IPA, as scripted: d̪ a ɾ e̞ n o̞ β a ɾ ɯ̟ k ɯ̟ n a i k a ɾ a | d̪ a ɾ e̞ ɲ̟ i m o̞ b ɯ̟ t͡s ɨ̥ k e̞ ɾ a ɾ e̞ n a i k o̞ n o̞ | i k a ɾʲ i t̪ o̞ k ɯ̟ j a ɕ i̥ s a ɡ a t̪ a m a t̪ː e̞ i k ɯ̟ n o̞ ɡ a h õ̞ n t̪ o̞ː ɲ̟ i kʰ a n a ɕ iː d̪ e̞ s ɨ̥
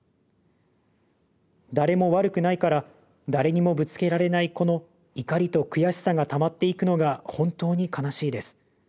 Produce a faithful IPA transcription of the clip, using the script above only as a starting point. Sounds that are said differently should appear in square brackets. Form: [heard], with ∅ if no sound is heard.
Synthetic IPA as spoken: d̪ a ɾ e̞ [m] o̞ β a ɾ ɯ̟ k ɯ̟ n a i k a ɾ a | d̪ a ɾ e̞ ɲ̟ i m o̞ b ɯ̟ t͡s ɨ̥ k e̞ ɾ a ɾ e̞ n a i k o̞ n o̞ | i k a ɾʲ i t̪ o̞ k ɯ̟ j a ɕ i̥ s a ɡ a t̪ a m a t̪ː e̞ i k ɯ̟ n o̞ ɡ a h õ̞ n t̪ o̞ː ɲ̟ i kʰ a n a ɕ iː d̪ e̞ s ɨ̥